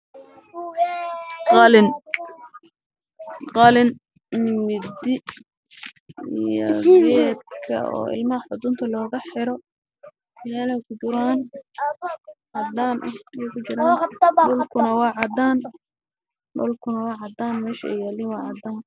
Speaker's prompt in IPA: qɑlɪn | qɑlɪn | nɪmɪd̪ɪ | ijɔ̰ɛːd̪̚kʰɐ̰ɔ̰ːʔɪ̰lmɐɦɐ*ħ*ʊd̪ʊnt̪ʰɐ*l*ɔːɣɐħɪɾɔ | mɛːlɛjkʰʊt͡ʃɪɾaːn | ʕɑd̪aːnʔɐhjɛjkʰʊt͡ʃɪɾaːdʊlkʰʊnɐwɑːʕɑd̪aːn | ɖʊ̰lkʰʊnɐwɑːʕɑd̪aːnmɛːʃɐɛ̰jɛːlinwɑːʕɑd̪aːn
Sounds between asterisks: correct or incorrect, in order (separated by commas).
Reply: correct, correct